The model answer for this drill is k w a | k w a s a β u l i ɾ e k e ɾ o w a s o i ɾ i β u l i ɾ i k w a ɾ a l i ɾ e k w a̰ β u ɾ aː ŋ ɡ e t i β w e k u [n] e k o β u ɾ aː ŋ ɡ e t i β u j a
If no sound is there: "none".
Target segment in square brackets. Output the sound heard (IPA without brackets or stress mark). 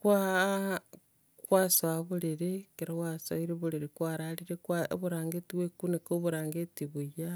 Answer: n